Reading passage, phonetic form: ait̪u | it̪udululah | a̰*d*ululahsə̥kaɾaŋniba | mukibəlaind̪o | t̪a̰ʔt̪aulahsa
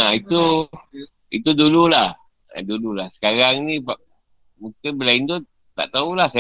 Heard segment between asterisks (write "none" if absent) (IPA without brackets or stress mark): d